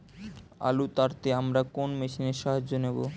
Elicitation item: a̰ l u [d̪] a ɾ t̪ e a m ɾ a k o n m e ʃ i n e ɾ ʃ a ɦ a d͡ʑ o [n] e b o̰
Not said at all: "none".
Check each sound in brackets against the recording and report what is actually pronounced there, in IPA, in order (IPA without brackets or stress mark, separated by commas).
t̪, n